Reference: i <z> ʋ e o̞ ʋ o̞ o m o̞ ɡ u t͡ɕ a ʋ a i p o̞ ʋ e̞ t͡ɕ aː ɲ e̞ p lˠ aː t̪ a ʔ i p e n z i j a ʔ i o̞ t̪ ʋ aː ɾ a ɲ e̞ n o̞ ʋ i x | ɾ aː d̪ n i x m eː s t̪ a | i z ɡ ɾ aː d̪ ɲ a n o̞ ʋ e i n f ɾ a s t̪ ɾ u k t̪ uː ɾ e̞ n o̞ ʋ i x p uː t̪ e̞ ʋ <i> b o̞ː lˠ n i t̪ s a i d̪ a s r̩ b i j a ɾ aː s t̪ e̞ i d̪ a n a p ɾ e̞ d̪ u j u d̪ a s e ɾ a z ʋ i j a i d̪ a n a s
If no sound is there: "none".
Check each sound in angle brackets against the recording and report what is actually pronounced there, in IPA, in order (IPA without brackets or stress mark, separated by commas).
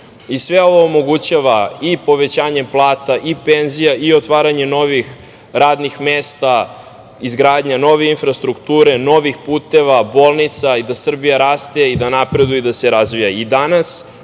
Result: s, a